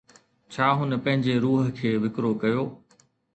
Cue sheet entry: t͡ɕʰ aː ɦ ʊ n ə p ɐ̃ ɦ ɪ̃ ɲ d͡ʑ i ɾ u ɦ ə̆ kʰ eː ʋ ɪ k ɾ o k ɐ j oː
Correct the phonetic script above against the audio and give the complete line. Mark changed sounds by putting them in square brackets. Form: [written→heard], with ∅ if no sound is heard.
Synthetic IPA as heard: t͡ɕʰ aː ɦ ʊ n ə p ɐ̃ ɦ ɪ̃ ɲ d͡ʑ [i→e] ɾ [u→uː] ɦ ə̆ kʰ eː ʋ ɪ k ɾ o k ɐ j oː